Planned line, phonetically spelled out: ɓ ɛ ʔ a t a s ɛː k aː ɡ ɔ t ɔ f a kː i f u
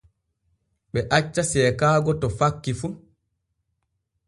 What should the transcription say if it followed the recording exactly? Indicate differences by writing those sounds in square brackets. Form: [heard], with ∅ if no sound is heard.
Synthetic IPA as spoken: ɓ ɛ ʔ a [t͡ʃː] a s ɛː k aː ɡ ɔ t ɔ f a kː i f u